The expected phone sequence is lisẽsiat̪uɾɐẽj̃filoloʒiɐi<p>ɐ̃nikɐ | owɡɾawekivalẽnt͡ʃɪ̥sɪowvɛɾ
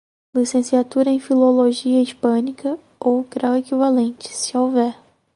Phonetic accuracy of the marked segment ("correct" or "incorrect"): correct